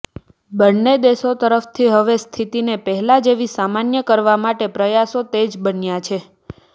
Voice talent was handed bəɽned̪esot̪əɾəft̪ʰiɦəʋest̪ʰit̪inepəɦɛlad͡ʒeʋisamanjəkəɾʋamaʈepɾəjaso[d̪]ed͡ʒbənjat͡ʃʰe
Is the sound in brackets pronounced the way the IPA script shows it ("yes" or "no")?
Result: no